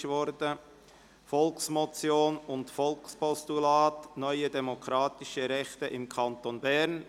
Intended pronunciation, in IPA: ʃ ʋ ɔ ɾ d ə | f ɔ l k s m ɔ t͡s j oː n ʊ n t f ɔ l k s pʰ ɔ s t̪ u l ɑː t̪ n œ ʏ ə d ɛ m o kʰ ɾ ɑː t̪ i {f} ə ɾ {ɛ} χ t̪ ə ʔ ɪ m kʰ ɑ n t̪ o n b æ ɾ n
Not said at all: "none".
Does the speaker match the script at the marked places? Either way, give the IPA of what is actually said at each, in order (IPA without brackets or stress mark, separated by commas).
ʃ, ɛ